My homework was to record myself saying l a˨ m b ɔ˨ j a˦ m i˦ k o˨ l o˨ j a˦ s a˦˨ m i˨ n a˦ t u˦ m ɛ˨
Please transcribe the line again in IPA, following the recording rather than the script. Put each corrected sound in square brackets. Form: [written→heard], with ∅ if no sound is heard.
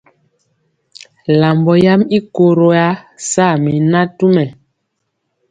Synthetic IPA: l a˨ m b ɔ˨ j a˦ m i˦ k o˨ [l→ɾ] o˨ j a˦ s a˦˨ m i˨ n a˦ t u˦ m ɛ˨